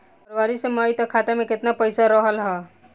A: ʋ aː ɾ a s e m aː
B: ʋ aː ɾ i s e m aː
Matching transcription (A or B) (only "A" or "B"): B